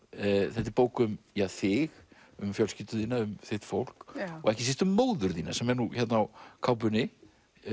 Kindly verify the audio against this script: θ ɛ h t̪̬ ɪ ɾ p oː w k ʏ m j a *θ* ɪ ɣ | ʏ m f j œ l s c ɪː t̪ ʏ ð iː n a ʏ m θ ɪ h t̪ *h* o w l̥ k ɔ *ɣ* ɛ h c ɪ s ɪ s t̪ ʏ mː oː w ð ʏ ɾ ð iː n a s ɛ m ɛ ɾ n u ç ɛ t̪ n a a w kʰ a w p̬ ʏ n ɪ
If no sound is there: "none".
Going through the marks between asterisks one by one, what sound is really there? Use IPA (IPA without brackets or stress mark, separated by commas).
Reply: θ, f, ɣ